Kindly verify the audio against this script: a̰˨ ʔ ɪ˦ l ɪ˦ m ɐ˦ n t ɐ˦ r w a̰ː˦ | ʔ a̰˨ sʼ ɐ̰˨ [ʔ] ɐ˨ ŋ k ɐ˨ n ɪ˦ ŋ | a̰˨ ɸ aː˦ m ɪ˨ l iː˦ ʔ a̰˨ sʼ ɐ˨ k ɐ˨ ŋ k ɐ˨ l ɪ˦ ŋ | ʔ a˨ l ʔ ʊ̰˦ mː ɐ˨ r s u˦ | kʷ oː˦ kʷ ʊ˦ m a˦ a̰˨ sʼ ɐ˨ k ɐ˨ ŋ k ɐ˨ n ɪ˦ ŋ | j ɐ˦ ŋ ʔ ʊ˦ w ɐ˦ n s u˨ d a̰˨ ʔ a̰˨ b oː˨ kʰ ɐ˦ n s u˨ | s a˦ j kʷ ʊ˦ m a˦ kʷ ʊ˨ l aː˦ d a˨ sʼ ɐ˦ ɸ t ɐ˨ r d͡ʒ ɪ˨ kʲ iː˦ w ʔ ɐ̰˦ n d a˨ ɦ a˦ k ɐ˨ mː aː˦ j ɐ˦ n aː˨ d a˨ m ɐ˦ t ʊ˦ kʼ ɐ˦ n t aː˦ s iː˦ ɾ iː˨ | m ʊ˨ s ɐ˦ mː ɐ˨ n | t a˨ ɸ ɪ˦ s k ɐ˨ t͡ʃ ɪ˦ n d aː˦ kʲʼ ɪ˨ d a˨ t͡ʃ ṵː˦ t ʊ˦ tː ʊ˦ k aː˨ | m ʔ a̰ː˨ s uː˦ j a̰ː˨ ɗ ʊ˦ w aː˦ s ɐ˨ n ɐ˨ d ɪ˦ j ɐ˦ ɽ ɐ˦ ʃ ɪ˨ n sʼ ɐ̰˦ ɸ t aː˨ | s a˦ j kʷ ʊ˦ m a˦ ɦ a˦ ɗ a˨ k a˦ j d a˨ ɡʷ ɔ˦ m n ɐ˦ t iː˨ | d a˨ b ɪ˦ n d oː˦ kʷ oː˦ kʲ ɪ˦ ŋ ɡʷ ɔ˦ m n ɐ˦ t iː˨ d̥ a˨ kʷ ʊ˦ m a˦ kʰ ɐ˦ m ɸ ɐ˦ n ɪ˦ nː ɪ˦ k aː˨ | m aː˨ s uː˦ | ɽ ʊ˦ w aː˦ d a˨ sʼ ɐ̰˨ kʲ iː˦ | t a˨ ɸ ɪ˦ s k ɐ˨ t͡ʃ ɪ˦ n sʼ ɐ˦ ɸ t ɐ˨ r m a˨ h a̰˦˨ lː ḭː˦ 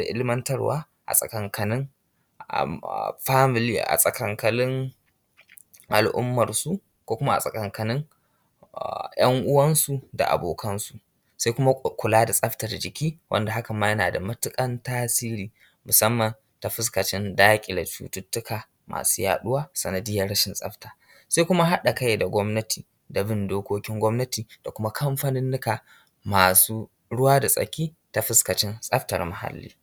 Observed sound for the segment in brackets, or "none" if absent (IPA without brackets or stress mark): k